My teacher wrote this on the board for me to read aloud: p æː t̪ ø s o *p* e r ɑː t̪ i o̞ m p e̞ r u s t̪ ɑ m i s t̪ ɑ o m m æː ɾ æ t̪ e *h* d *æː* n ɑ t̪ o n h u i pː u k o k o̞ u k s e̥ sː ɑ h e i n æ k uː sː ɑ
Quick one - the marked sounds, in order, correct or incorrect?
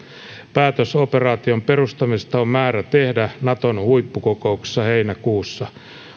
correct, correct, incorrect: æ

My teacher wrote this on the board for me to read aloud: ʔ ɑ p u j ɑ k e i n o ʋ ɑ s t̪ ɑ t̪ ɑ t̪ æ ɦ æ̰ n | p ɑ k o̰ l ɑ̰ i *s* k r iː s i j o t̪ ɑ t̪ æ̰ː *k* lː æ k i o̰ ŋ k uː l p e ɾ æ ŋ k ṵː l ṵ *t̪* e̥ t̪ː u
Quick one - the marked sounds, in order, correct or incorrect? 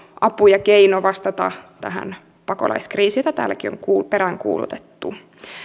correct, incorrect: none, correct

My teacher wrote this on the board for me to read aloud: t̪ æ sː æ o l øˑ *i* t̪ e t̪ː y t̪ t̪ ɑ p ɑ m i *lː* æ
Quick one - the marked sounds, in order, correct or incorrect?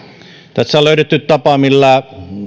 incorrect: y, correct

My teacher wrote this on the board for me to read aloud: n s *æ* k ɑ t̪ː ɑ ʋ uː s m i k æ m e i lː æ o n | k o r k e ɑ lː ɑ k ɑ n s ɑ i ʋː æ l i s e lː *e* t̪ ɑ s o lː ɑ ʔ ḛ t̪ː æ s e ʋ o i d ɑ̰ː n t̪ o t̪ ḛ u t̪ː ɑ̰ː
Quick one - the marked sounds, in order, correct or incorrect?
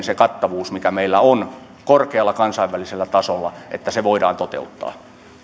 incorrect: e, incorrect: æ

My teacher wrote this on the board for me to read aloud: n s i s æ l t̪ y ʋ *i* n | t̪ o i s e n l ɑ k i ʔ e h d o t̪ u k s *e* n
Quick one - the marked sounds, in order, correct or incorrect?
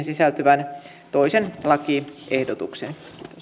incorrect: æ, correct

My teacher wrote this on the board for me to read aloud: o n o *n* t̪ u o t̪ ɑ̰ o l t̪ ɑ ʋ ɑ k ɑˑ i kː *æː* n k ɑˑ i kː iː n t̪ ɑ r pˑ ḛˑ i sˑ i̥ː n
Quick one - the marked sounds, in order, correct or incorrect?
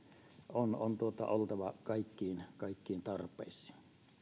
correct, incorrect: iː

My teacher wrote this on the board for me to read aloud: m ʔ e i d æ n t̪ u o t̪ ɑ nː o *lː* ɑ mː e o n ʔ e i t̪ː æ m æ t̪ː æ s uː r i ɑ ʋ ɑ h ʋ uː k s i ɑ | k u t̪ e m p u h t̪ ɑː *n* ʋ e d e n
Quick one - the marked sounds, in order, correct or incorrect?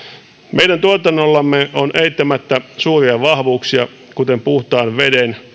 correct, correct

